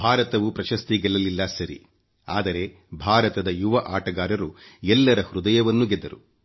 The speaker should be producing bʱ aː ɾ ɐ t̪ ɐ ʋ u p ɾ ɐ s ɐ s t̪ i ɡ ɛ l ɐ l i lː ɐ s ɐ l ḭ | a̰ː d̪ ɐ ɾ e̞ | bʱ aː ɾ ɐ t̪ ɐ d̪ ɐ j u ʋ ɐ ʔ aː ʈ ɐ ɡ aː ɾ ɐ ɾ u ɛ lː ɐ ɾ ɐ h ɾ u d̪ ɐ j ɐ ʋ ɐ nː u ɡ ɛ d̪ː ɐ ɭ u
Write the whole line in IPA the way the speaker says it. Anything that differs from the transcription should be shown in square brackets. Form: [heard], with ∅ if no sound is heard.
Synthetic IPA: bʱ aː ɾ ɐ t̪ ɐ ʋ u p ɾ ɐ [ʃ] ɐ s t̪ i ɡ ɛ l ɐ l i lː ɐ s ɐ [ɾ] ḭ | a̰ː d̪ ɐ ɾ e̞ | bʱ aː ɾ ɐ t̪ ɐ d̪ ɐ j u ʋ ɐ ʔ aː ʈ ɐ ɡ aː ɾ ɐ ɾ u ɛ lː ɐ ɾ ɐ h ɾ u d̪ ɐ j ɐ ʋ ɐ nː u ɡ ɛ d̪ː ɐ [ɾ] u